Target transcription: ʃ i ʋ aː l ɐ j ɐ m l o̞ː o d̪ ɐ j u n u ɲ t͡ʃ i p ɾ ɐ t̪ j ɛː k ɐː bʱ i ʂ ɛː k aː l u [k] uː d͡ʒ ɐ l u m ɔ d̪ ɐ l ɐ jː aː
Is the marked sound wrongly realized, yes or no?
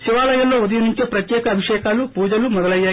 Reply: yes